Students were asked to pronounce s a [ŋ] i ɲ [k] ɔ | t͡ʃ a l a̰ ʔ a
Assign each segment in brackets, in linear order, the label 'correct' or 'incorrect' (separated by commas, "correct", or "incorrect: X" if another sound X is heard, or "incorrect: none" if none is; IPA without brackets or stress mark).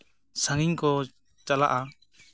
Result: correct, correct